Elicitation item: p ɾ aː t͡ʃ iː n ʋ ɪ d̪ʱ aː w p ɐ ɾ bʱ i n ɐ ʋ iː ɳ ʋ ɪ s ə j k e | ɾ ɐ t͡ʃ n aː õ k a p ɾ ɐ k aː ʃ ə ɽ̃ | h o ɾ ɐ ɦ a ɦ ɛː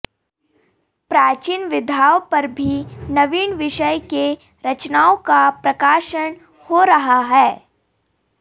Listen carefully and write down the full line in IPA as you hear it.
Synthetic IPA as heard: p ɾ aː t͡ʃ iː n ʋ ɪ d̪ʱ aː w p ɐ ɾ bʱ i n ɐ ʋ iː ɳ ʋ ɪ ʃ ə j k e | ɾ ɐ t͡ʃ n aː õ k a p ɾ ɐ k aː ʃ ə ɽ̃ | h o ɾ ɐ ɦ a ɦ ɛː